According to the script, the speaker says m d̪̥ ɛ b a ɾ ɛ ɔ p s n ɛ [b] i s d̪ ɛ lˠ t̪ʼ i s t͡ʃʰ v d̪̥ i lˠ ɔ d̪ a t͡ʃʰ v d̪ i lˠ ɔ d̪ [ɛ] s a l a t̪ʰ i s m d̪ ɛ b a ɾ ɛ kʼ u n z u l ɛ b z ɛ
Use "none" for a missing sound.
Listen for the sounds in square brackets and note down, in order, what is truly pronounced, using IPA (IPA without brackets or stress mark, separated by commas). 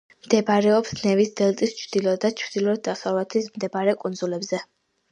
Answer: v, a